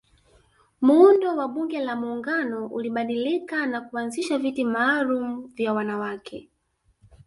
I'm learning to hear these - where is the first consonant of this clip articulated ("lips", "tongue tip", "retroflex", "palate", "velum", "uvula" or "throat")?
lips